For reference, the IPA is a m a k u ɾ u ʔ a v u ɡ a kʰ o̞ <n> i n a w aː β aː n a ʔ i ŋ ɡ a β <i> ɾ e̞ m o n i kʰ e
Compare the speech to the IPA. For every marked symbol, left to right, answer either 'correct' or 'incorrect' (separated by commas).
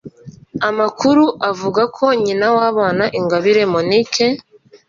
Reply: incorrect, correct